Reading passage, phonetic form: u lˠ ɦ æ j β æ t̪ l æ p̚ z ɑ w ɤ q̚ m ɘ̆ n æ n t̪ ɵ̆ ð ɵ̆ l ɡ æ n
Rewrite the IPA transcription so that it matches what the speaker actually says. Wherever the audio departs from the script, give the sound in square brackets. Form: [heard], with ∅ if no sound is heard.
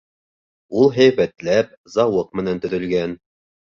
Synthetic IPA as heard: u lˠ ɦ æ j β æ t̪ l æ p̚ z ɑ w ɤ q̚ m ɘ̆ n æ n t̪ ɵ̆ ð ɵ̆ l ɡ æ n